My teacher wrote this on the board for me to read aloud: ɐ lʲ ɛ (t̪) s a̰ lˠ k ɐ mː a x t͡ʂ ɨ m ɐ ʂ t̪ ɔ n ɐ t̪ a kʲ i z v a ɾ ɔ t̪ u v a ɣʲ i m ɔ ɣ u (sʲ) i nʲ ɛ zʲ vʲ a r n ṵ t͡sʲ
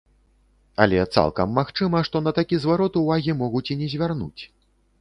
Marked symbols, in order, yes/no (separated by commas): yes, no